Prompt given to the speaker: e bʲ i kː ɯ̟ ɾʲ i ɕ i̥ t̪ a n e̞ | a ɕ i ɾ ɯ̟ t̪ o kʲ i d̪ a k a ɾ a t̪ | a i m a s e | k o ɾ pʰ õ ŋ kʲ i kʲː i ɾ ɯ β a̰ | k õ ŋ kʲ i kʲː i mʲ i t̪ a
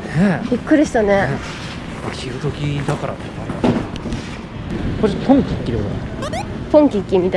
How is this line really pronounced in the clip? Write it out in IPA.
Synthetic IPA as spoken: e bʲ i kː ɯ̟ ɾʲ i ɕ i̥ t̪ a n e̞ | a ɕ i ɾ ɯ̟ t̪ o kʲ i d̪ a k a ɾ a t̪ | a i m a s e | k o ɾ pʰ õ ŋ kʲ i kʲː i ɾ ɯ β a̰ | p õ ŋ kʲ i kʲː i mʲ i t̪ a

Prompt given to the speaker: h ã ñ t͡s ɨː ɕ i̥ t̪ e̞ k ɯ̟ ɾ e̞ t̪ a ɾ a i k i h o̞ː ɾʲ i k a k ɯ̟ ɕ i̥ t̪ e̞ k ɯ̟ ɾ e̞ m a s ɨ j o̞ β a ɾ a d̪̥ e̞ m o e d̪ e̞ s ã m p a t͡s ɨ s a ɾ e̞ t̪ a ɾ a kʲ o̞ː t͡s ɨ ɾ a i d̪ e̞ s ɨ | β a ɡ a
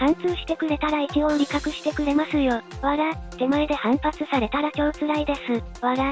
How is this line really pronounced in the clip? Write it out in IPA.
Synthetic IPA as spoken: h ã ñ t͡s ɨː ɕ i̥ t̪ e̞ k ɯ̟ ɾ e̞ t̪ a ɾ a i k i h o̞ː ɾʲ i k a k ɯ̟ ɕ i̥ t̪ e̞ k ɯ̟ ɾ e̞ m a s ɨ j o̞ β a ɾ a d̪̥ e̞ m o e d̪ e̞ h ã m p a t͡s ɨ s a ɾ e̞ t̪ a ɾ a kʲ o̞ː t͡s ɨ ɾ a i d̪ e̞ s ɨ | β a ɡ a

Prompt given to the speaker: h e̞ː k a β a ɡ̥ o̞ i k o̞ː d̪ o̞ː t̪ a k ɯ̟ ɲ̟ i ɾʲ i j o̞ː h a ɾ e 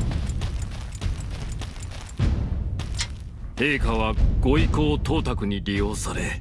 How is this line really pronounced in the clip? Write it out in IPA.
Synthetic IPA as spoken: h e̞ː k a β a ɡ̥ o̞ i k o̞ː t̪ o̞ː t̪ a k ɯ̟ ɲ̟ i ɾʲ i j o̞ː s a ɾ e

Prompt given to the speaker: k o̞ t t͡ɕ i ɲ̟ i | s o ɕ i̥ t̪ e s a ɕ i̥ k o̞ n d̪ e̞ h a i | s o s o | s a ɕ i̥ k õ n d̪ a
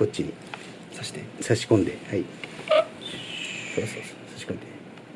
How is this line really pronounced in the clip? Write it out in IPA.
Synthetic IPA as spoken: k o̞ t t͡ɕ i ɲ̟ i | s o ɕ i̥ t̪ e s a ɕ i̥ k õ̞ n d̪ e̞ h a i | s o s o | s a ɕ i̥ k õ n d̪ e

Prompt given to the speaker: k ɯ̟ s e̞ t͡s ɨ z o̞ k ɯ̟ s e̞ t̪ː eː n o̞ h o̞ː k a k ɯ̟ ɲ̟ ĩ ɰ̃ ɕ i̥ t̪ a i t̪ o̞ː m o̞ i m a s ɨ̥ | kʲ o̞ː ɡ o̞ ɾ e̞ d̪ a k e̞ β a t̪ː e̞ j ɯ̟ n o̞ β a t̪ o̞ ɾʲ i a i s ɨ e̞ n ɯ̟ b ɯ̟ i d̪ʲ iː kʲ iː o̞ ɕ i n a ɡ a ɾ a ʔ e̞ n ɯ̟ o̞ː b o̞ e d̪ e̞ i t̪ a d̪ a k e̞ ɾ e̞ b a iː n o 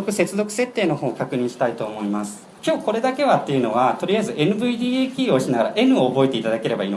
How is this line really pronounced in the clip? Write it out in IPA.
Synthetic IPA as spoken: k ɯ̟ s e̞ t͡s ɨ z o̞ k ɯ̟ s e̞ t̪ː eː n o̞ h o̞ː k a k ɯ̟ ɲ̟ ĩ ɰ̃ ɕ i̥ t̪ a i t̪ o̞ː m o̞ i m a s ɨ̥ | kʲ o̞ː k o̞ ɾ e̞ d̪ a k e̞ β a t̪ː e̞ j ɯ̟ n o̞ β a t̪ o̞ ɾʲ i a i z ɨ e̞ n ɯ̟ b ɯ̟ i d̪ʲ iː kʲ iː o̞ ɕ i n a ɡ a ɾ a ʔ e̞ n ɯ̟ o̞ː b o̞ e t̪ e̞ i t̪ a d̪ a k e̞ ɾ e̞ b a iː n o

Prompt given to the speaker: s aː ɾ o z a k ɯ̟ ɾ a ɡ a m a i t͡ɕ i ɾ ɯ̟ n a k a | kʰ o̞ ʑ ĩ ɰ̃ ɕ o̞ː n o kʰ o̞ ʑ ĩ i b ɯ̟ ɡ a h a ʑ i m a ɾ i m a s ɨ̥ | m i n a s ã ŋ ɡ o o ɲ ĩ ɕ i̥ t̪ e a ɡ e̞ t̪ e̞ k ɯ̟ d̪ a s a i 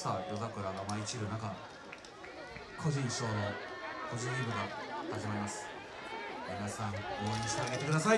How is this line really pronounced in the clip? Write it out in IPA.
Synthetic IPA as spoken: s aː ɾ o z a k ɯ̟ ɾ a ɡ a m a i t͡ɕ i ɾ ɯ̟ n a k a | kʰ o̞ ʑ ĩ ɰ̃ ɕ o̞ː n o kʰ o̞ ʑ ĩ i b ɯ̟ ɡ a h a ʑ i m a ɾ i m a s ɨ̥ | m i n a s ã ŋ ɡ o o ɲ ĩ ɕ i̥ t̪ e a ɡ e̞ t̪ e̞ k ɯ̟ d̪ a s a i

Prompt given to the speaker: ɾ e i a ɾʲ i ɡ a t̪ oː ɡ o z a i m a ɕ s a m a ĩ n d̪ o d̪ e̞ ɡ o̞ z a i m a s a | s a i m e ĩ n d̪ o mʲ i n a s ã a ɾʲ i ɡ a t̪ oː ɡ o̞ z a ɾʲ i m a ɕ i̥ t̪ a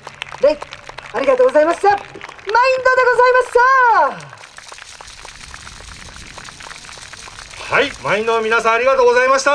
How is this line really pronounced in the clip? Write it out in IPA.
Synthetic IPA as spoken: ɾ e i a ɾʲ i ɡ a t̪ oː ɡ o z a i m a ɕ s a m a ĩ n d̪ o d̪ e̞ ɡ o̞ z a i m a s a | h a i m a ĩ n d̪ o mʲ i n a s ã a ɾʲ i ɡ a t̪ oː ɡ o̞ z a i m a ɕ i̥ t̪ a

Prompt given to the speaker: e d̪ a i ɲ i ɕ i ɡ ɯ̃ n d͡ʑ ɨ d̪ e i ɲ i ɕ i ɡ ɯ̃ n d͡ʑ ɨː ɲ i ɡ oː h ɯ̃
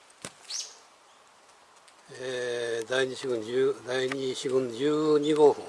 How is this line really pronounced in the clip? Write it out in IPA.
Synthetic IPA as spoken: e d̪ a i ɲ i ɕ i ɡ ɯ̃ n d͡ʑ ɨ d̪ a i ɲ i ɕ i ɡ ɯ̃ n d͡ʑ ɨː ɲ i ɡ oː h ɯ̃

